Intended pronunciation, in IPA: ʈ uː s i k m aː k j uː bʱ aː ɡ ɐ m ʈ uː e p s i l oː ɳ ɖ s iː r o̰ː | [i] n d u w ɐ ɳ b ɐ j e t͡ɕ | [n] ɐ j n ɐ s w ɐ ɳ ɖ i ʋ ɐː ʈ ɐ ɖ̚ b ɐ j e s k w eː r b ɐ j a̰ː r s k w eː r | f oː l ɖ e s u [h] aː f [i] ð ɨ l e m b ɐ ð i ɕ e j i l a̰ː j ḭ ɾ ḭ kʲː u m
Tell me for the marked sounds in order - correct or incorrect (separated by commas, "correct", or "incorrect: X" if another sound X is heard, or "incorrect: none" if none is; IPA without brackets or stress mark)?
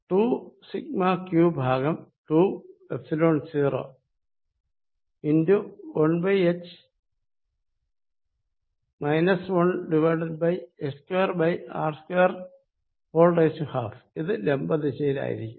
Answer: correct, incorrect: m, correct, correct